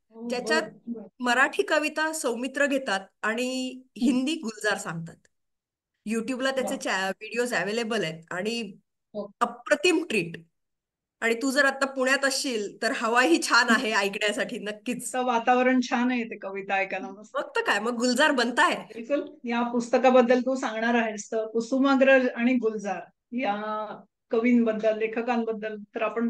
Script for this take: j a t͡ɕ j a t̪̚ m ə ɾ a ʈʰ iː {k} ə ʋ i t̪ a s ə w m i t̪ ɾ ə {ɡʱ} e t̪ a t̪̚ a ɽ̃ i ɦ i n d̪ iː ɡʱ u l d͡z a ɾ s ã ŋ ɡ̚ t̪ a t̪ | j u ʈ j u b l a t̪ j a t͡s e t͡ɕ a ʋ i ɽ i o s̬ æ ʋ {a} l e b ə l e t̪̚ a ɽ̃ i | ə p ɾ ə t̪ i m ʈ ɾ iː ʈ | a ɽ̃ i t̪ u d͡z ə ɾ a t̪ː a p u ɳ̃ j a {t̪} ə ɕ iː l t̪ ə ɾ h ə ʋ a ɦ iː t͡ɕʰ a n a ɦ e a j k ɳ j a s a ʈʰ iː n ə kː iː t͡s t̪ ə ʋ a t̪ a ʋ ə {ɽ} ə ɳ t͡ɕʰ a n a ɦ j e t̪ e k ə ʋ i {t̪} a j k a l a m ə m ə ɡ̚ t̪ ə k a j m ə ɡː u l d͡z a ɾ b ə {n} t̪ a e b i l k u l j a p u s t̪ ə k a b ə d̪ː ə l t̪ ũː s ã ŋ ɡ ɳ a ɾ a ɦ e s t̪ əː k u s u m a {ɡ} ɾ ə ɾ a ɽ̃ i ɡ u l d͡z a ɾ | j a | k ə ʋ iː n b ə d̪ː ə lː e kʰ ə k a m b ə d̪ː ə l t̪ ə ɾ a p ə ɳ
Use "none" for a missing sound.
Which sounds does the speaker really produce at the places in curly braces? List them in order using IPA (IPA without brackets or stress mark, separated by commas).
k, ɡʱ, e, t̪, ɾ, t̪, n, ɡ